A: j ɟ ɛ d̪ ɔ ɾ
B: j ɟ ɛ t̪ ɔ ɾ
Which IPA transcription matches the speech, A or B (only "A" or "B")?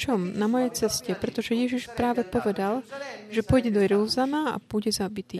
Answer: A